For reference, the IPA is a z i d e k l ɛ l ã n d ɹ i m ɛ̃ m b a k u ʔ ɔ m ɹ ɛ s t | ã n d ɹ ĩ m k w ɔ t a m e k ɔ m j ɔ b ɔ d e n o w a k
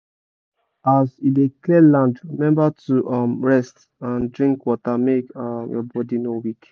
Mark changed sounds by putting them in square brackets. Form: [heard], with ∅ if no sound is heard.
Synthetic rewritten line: a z i d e k l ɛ l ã n d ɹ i m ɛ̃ m b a [t] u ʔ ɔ m ɹ ɛ s t | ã n d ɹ ĩ [ŋ] k w ɔ t a m e k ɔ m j ɔ b ɔ d [i] n o w [i] k